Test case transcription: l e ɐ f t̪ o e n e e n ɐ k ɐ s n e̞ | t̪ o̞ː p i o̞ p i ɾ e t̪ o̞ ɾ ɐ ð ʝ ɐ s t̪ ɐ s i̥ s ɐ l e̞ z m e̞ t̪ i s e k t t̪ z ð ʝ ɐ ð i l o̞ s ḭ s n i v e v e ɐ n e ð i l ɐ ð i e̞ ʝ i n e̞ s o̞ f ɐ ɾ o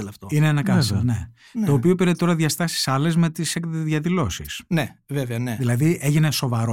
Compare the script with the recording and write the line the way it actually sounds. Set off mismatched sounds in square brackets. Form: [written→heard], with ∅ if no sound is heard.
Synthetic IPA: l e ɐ f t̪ o [e→i] n e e n ɐ k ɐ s n e̞ | t̪ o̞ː p i o̞ p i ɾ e t̪ o̞ ɾ ɐ ð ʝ ɐ s t̪ ɐ s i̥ s ɐ l e̞ z m e̞ t̪ i s e k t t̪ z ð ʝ ɐ ð i l o̞ s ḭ s n [i→e] v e v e ɐ n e ð i l ɐ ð i e̞ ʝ i n e̞ s o̞ [f→v] ɐ ɾ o